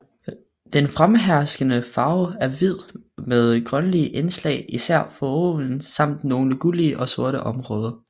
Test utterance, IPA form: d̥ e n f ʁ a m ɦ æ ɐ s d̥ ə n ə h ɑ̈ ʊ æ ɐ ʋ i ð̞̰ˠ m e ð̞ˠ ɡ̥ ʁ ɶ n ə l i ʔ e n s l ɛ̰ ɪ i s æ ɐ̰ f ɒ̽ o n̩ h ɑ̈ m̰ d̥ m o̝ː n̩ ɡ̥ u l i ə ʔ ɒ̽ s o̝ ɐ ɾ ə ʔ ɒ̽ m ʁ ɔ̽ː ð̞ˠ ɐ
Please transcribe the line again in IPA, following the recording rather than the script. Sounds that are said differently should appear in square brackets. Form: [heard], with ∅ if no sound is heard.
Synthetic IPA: d̥ e n f ʁ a m ɦ æ ɐ s [ɡ̥] ə n ə [f] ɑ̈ ʊ æ ɐ ʋ i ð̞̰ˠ m e ð̞ˠ ɡ̥ ʁ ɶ n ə l i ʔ e n s l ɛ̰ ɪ i s æ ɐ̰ f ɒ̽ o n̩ [s] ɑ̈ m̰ d̥ [n] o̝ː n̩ ɡ̥ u l i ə ʔ ɒ̽ s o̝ ɐ ɾ ə ʔ ɒ̽ m ʁ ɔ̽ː ð̞ˠ ɐ